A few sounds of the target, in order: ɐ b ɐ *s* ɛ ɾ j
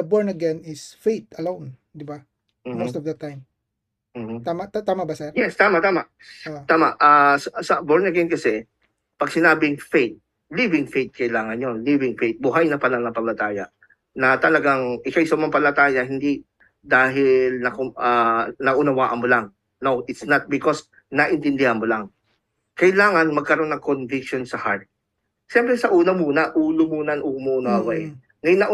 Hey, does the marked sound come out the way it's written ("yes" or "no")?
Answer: yes